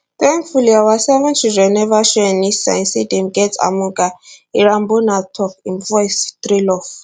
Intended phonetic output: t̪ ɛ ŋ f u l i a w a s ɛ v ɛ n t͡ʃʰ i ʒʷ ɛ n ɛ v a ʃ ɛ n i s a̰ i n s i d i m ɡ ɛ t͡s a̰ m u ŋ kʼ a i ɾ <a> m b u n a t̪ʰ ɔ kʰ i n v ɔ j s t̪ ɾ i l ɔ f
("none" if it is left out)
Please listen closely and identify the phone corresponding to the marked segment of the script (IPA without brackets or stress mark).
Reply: a